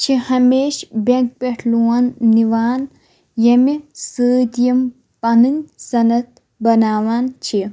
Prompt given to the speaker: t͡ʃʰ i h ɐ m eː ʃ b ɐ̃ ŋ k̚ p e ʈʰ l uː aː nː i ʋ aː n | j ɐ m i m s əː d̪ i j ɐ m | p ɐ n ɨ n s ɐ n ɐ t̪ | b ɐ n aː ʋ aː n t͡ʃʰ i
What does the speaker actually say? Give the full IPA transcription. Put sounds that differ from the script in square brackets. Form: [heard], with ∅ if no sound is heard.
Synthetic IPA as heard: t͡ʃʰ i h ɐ m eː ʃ b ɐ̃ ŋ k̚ p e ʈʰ l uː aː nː i ʋ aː n | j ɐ m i [∅] s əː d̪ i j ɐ m | p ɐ n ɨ n s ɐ n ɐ t̪ | b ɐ n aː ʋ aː n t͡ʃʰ i